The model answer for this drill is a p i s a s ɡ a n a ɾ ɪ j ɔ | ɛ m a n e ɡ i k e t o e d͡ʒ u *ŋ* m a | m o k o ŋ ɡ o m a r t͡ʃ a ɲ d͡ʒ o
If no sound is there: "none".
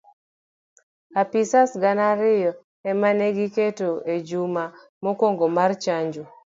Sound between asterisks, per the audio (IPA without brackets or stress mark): none